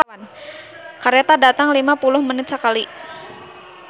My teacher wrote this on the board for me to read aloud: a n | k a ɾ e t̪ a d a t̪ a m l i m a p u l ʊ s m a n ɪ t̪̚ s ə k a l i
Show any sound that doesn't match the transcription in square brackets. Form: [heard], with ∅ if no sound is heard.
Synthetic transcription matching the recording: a n | k a ɾ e t̪ a d a t̪ a [ŋ] l i m a p u l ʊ [h] m [ə] n ɪ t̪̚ s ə k a l i